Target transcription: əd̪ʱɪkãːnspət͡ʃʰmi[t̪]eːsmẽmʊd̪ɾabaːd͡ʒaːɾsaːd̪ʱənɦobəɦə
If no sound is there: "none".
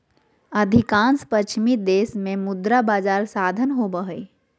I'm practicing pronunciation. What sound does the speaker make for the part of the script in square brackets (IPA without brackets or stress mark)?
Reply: d̪